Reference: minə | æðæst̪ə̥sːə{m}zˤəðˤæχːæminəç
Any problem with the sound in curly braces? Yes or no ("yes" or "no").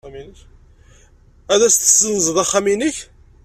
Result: yes